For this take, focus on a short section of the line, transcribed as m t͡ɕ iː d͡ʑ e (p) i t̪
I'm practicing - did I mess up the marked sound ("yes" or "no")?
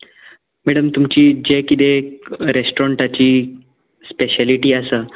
yes